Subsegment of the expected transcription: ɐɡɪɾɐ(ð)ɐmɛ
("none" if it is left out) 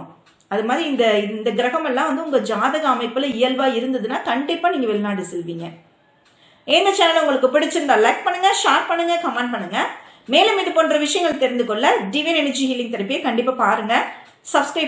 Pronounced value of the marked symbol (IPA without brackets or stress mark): ɣ